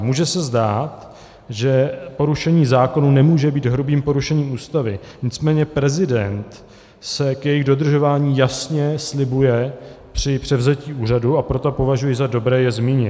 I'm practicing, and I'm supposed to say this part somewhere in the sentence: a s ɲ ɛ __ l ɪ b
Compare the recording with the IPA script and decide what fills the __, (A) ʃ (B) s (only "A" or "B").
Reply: B